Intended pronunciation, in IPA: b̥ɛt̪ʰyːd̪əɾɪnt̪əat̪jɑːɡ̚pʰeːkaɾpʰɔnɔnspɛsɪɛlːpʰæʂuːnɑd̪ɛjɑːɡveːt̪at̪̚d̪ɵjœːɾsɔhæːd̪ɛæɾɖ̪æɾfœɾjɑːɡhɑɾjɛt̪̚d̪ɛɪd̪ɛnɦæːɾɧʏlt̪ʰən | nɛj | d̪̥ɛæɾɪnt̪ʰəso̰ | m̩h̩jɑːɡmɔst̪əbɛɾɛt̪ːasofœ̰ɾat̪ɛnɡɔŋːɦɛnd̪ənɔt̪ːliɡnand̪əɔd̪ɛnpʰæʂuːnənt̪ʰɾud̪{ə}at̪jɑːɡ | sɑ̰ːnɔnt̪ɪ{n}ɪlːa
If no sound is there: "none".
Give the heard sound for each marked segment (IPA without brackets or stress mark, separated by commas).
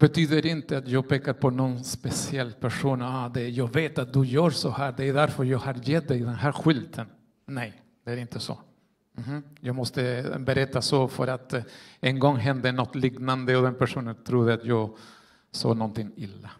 ə, ŋ